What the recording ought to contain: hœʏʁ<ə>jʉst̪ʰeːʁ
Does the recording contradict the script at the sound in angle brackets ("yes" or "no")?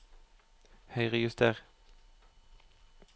no